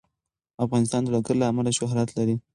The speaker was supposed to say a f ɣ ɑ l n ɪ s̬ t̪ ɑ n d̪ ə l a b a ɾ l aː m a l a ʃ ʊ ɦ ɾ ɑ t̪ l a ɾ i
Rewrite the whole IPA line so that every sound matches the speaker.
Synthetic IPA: a f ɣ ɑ n ɪ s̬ t̪ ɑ n d̪ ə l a ɡ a ɾ l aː m a l a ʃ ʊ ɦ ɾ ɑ t̪ l a ɾ i